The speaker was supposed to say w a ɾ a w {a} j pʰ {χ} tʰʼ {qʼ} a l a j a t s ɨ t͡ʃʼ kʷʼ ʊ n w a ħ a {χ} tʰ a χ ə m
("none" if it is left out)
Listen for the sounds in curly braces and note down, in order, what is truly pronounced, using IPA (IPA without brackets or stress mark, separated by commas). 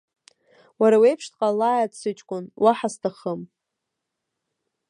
e, ʂ, qʼ, s